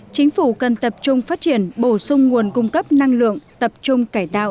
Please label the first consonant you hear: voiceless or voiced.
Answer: voiceless